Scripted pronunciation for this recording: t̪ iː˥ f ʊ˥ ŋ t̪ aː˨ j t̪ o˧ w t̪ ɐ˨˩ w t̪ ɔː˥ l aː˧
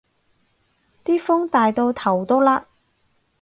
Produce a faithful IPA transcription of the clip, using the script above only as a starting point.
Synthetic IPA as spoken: t̪ iː˥ f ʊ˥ ŋ t̪ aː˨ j t̪ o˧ w t̪ʰ ɐ˨˩ w t̪ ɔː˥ l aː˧